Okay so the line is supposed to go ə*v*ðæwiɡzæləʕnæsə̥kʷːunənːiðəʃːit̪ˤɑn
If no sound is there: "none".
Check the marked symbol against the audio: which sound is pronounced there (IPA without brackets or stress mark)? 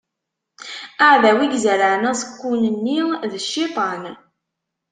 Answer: ʕ